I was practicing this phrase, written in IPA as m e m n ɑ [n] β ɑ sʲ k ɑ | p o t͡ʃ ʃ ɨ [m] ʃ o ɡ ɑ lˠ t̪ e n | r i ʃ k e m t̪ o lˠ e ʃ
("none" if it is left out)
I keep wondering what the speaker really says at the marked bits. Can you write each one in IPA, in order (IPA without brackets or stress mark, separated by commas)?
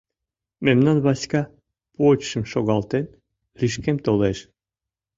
n, m